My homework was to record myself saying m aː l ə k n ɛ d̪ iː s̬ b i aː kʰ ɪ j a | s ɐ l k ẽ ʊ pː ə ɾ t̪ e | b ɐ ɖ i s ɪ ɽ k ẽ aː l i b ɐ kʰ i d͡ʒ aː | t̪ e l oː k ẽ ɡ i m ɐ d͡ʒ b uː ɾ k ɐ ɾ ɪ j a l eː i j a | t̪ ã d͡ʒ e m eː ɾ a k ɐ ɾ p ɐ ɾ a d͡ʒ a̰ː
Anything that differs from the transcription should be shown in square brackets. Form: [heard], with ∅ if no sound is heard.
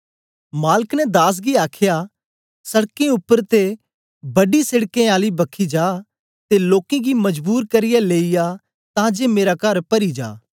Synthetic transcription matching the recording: m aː l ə k n ɛ d̪ [aː] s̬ [ɡ] i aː kʰ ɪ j a | s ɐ [ɽ] k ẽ ʊ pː ə ɾ t̪ e | b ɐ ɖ i s ɪ ɽ k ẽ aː l i b ɐ kʰ i d͡ʒ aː | t̪ e l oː k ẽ ɡ i m ɐ d͡ʒ b uː ɾ k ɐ ɾ ɪ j a l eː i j a | t̪ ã d͡ʒ e m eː ɾ a k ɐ ɾ p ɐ ɾ [i] d͡ʒ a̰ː